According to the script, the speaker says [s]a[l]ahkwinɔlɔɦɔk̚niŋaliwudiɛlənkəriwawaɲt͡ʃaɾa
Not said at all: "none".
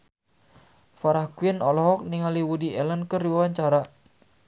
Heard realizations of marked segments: f, ɾ

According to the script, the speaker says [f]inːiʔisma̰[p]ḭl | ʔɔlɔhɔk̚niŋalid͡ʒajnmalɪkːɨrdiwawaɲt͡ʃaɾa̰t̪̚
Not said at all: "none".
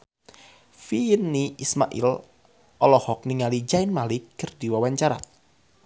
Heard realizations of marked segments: f, ʔ

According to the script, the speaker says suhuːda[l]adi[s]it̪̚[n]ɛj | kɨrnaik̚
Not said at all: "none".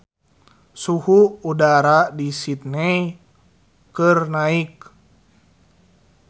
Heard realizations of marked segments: ɾ, s, n

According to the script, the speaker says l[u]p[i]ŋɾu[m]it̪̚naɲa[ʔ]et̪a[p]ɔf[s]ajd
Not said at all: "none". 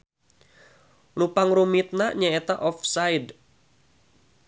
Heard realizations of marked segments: u, a, m, none, ʔ, s

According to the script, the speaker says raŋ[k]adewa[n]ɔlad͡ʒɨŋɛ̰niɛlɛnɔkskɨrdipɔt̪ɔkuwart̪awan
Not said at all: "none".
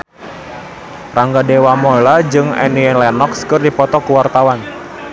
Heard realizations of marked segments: ɡ, m

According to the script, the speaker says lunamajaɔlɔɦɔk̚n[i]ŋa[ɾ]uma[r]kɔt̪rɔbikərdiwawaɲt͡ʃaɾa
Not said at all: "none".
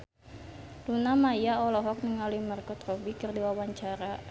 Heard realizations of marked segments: i, l, r

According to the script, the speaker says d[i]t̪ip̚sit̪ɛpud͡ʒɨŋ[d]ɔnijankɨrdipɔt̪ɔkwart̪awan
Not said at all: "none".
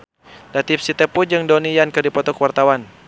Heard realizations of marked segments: a, d

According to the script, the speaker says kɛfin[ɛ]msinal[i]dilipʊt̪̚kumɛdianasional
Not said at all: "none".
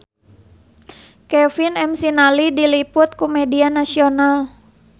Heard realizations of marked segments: ɛ, i

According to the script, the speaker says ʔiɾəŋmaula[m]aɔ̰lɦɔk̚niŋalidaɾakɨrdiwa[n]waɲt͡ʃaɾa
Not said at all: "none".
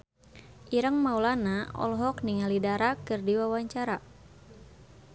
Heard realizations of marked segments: n, none

